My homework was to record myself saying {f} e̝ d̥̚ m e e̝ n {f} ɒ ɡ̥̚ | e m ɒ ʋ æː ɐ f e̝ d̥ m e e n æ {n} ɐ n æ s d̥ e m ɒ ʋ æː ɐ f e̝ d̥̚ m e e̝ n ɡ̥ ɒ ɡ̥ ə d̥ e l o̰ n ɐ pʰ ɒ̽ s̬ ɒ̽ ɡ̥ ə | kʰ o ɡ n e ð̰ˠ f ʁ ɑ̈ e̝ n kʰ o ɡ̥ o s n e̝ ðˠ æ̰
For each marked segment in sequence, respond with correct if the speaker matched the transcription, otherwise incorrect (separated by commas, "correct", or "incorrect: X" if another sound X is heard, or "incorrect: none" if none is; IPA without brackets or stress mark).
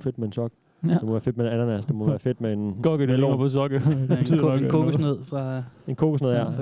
correct, incorrect: s, correct